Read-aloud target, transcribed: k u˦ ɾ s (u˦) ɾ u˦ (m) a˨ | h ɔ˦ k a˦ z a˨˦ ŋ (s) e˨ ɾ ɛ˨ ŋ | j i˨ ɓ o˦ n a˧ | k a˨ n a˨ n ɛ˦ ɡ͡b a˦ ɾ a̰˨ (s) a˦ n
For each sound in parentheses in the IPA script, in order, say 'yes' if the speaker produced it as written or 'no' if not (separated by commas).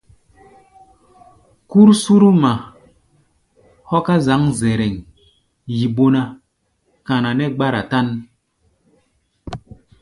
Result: yes, yes, no, no